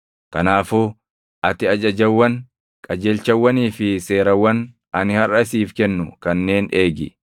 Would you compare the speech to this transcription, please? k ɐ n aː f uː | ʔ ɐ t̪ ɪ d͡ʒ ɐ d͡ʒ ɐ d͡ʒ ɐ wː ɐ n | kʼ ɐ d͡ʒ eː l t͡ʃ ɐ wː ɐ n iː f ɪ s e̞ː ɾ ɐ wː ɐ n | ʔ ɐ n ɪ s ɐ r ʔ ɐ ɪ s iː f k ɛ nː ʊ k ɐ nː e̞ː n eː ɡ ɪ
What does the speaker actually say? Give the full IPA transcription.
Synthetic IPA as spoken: k ɐ n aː f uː | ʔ ɐ t̪ ɪ ɐ d͡ʒ ɐ d͡ʒ ɐ wː ɐ n | kʼ ɐ d͡ʒ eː l t͡ʃ ɐ wː ɐ n iː f ɪ s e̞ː ɾ ɐ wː ɐ n | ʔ ɐ n ɪ h ɐ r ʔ ɐ ɪ s iː f k ɛ nː ʊ k ɐ nː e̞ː n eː ɡ ɪ